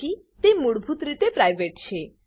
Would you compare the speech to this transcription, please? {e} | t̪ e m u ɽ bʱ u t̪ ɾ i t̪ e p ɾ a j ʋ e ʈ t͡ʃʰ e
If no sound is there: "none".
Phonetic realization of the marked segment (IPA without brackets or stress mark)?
i